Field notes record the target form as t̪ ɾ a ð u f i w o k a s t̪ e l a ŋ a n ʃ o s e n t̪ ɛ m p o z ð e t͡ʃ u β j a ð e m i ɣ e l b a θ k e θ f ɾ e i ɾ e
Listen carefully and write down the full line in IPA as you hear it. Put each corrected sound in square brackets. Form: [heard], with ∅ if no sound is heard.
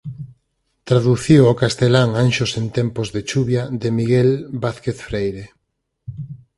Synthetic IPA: t̪ ɾ a ð u [θ] i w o k a s t̪ e l a ŋ a n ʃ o s e n t̪ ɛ m p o z ð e t͡ʃ u β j a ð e m i ɣ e l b a θ k e θ f ɾ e [j] ɾ e